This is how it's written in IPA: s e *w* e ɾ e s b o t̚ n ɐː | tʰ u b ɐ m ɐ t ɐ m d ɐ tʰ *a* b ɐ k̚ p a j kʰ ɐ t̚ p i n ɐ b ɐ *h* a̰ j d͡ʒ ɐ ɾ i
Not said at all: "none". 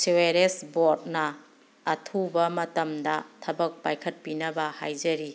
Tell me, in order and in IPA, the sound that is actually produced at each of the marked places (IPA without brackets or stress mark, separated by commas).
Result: w, ɐ, h